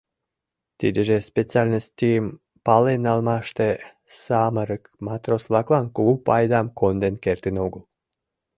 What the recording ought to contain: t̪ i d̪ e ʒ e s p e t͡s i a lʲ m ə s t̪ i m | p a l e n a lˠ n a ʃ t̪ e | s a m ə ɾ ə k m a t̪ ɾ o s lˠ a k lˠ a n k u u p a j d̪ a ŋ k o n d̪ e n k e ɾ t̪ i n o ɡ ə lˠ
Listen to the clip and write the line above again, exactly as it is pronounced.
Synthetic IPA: t̪ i d̪ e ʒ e s p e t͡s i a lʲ n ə s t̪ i m | p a l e n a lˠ m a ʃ t̪ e | s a m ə ɾ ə k m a t̪ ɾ o s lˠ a k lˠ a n k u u p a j d̪ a m k o n d̪ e n k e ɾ t̪ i n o ɡ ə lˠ